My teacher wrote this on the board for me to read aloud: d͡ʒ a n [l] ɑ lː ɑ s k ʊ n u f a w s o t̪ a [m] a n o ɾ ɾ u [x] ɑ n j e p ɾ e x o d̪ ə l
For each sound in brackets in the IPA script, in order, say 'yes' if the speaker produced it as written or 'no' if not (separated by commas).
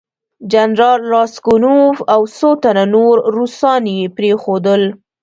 no, no, no